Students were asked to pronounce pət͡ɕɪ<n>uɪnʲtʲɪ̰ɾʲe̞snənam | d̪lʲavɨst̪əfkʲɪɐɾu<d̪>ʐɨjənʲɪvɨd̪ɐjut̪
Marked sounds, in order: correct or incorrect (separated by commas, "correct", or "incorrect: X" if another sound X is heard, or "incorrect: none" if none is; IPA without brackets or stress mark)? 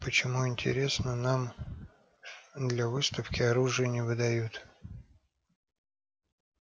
incorrect: m, incorrect: none